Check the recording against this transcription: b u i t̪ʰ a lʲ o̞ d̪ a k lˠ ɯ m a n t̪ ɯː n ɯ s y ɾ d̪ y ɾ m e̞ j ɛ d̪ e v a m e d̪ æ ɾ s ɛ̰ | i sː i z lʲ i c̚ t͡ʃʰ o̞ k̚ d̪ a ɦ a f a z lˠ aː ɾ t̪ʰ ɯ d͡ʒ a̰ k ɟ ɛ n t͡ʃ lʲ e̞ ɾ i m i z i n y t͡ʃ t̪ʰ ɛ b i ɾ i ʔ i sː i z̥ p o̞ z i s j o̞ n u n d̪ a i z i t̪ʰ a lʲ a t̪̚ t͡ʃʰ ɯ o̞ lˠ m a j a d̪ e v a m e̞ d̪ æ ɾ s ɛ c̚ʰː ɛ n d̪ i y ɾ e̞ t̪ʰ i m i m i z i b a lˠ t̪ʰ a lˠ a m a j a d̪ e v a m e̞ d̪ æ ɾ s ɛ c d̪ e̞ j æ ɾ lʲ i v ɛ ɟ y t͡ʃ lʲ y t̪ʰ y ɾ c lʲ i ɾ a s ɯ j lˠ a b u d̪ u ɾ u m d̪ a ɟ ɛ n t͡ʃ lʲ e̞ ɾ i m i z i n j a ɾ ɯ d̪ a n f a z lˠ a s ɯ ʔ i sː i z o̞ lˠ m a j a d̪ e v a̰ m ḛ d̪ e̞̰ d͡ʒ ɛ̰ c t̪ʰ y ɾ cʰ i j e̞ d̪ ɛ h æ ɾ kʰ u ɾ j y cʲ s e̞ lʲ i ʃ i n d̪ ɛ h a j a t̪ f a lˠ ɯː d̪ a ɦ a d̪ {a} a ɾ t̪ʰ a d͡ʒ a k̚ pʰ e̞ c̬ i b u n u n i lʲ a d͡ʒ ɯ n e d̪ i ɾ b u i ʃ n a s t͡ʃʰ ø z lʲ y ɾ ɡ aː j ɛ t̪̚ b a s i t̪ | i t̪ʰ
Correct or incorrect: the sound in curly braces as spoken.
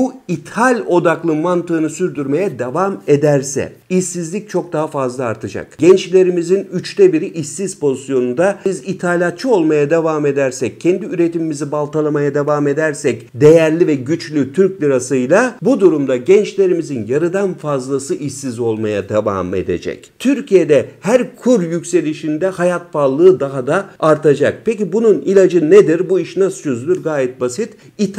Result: correct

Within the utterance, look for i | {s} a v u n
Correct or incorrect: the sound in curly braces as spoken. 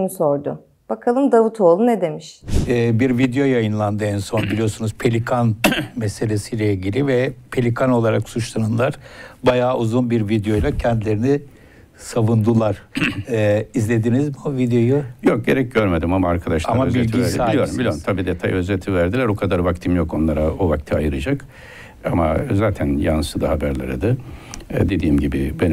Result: correct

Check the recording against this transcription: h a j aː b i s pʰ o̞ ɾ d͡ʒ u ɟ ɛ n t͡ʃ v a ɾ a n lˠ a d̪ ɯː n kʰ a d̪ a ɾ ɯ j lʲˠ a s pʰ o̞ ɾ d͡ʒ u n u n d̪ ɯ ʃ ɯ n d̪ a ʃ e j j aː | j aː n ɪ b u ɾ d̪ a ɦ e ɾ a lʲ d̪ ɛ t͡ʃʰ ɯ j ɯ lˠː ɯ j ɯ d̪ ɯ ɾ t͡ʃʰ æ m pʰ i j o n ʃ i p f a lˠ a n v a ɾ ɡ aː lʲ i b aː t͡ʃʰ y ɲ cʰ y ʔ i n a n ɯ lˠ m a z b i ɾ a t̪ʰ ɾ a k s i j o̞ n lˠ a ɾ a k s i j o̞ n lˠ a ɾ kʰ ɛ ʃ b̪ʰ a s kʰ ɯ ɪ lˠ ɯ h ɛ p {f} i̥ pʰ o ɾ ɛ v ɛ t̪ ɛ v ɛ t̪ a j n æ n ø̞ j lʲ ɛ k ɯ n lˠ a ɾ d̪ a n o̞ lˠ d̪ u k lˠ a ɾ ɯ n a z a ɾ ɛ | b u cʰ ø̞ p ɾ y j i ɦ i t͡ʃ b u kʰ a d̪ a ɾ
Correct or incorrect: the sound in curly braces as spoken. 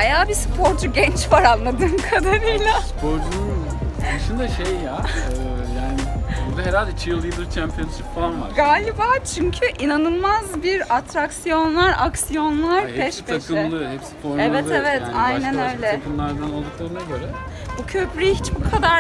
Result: incorrect: s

